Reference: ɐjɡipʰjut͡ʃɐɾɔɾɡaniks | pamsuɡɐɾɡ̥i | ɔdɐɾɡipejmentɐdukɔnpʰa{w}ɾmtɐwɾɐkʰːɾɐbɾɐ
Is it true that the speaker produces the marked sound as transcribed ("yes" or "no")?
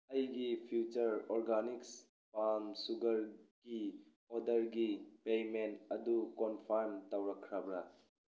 no